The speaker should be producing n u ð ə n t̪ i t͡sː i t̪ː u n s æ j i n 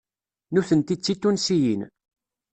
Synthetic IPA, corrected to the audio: n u θ ə n t̪ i t͡sː i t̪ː u n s i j i n